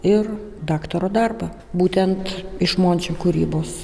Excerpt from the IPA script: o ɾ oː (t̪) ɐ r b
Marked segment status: incorrect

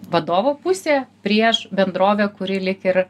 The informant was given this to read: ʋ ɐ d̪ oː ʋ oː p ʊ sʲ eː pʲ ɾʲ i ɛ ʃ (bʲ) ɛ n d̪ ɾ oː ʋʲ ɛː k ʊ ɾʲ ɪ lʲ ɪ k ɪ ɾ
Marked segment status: correct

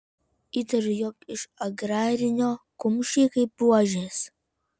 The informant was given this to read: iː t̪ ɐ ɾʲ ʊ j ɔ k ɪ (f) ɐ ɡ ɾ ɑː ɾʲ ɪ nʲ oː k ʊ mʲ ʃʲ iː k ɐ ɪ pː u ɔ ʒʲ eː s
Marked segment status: incorrect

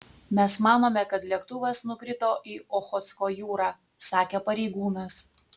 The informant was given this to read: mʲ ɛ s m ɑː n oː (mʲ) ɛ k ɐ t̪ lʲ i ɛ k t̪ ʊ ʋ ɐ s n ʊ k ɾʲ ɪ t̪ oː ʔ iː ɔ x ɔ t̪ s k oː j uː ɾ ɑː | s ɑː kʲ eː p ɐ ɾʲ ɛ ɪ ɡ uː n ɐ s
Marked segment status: correct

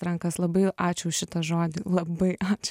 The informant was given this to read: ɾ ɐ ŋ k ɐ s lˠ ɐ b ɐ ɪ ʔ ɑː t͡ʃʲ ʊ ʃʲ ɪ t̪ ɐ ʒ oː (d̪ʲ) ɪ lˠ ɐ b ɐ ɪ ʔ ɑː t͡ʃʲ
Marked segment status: correct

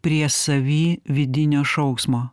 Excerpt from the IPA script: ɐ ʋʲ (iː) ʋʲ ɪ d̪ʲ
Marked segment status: correct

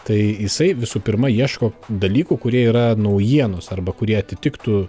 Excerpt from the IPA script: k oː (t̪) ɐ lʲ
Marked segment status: incorrect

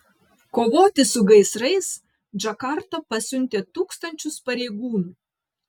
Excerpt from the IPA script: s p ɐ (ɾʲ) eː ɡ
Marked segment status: correct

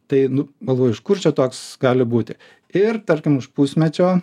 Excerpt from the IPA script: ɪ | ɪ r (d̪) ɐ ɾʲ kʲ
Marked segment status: incorrect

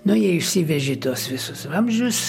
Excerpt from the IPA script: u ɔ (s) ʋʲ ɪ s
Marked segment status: correct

